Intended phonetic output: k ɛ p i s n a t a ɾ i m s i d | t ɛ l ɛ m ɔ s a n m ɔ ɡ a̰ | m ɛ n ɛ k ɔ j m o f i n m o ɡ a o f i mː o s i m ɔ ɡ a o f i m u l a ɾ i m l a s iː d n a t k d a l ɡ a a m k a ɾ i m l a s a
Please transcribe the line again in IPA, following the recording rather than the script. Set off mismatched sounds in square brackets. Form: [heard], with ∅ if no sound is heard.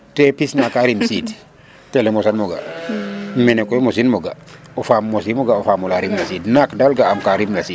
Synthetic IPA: [t] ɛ p i s n a [k] a ɾ i m s i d | t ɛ l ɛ m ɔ s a n m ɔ ɡ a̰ | m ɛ n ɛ k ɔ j m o [s] i n m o ɡ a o f [a] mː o s i m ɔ ɡ a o f [a] m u l a ɾ i m l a s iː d n a [∅] k d a l ɡ a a m k a ɾ i m l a s [i]